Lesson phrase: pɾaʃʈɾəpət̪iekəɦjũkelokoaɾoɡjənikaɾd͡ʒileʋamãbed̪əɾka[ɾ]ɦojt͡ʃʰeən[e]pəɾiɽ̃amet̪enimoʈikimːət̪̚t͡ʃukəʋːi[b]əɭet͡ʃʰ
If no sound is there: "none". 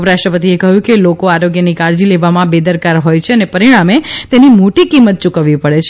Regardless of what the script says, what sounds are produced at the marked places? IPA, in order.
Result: ɾ, e, p

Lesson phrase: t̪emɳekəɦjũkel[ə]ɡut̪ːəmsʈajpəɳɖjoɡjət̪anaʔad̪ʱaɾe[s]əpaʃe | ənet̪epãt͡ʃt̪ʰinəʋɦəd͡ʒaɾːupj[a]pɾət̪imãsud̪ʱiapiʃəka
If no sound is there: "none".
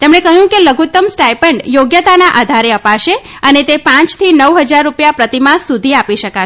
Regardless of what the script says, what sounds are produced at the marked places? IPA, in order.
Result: ə, none, a

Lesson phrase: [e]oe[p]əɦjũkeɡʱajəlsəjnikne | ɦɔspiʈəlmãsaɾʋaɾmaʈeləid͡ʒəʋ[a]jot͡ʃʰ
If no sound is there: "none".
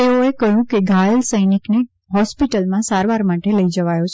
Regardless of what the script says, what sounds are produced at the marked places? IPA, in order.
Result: e, k, a

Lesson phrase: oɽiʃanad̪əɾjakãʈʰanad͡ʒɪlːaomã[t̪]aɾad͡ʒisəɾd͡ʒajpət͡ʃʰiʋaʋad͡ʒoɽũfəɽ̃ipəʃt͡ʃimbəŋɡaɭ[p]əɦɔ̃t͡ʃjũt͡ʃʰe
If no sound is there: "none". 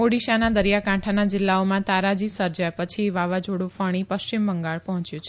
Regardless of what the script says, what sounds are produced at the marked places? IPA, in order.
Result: t̪, p

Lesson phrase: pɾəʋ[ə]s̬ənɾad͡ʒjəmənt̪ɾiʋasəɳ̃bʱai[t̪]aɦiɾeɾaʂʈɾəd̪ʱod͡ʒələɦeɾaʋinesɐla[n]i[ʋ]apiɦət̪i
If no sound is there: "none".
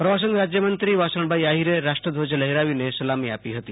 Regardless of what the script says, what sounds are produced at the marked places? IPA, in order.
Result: a, none, m, none

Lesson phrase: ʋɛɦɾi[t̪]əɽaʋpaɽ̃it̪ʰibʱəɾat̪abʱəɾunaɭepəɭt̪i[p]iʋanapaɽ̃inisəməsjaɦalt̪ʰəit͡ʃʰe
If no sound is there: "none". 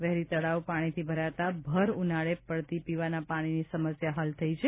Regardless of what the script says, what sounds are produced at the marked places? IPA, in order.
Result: t̪, p

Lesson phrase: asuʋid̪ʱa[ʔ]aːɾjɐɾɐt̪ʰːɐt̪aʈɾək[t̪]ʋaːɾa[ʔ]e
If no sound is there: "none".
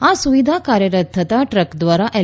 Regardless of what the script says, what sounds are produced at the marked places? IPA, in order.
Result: k, d̪, ʔ

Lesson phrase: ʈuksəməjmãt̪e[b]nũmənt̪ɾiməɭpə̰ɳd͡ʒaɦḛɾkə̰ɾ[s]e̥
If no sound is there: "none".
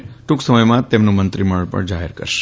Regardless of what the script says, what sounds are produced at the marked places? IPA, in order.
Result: m, ʃ

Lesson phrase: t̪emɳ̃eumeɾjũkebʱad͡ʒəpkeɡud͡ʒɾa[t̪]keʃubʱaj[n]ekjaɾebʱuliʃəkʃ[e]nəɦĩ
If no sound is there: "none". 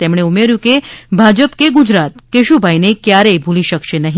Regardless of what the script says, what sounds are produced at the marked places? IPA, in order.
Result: t̪, n, e

